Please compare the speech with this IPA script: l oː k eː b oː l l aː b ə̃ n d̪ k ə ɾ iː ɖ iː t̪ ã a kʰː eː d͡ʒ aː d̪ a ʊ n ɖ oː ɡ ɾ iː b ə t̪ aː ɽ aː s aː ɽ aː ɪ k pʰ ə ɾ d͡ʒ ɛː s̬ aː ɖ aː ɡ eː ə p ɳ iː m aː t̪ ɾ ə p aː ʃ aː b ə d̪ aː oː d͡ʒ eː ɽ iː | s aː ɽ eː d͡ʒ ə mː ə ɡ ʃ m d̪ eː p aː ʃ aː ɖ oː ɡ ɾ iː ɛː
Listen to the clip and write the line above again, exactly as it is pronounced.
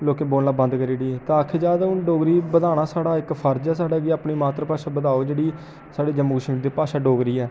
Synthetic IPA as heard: l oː k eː b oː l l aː b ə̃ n d̪ k ə ɾ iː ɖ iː t̪ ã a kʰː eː d͡ʒ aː d̪ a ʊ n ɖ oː ɡ ɾ iː b ə d̪ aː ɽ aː s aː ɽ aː ɪ k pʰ ə ɾ d͡ʒ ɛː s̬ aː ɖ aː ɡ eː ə p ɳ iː m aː t̪ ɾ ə p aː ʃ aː b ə d̪ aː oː d͡ʒ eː ɽ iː | s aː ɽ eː d͡ʒ ə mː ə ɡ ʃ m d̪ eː p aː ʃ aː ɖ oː ɡ ɾ iː ɛː

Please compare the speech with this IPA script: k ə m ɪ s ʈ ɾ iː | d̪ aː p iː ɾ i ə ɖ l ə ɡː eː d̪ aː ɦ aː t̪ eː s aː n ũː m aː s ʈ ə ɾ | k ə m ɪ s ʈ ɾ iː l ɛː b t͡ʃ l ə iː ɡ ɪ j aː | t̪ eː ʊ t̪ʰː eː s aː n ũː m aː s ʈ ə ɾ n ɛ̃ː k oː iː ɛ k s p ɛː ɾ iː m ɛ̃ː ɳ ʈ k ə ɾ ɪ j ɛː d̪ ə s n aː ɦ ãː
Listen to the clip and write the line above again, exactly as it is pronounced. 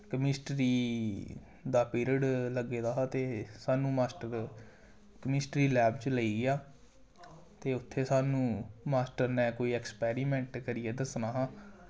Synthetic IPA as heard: k ə m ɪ s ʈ ɾ iː | d̪ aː p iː ɾ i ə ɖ l ə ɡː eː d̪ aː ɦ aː t̪ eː s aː n ũː m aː s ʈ ə ɾ | k ə m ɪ s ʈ ɾ iː l ɛː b t͡ʃ l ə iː ɡ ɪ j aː | t̪ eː ʊ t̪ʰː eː s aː n ũː m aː s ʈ ə ɾ n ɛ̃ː k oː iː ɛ k s p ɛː ɾ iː m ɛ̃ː ɳ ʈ k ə ɾ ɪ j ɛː d̪ ə s n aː ɦ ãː

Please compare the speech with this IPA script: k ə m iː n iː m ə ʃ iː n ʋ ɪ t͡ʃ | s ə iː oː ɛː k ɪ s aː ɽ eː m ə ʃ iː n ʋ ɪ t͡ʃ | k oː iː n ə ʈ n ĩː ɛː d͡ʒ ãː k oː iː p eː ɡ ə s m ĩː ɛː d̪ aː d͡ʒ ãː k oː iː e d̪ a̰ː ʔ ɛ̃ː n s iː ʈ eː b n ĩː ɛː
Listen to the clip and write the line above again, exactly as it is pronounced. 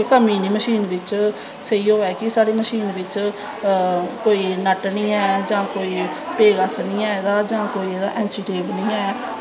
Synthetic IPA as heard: k ə m iː n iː m ə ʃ iː n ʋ ɪ t͡ʃ | s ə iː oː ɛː k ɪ s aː ɽ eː m ə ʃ iː n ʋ ɪ t͡ʃ | k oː iː n ə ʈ n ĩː ɛː d͡ʒ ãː k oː iː p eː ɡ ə s n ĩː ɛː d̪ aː d͡ʒ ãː k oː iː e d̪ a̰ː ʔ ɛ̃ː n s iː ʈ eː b n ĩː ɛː

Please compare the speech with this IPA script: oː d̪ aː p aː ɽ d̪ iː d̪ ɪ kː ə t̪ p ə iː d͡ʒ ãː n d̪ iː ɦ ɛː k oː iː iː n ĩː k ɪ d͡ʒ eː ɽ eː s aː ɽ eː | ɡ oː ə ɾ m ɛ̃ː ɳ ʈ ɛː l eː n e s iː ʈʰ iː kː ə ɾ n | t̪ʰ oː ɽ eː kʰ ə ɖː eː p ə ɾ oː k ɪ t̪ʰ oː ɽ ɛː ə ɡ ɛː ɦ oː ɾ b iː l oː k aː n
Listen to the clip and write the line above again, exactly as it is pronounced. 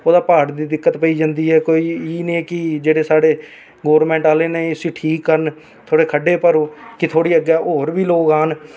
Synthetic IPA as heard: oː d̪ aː p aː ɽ d̪ iː d̪ ɪ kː ə t̪ p ə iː d͡ʒ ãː n d̪ iː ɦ ɛː k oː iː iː n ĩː k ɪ d͡ʒ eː ɽ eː s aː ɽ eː | ɡ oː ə ɾ m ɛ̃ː ɳ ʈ aː l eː n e s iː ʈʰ iː kː ə ɾ n | t̪ʰ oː ɽ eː kʰ ə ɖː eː p ə ɾ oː k ɪ t̪ʰ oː ɽ iː ə ɡ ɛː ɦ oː ɾ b iː l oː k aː n

